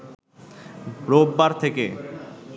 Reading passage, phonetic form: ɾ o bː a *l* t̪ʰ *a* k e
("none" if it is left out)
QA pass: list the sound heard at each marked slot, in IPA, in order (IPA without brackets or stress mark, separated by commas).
ɾ, e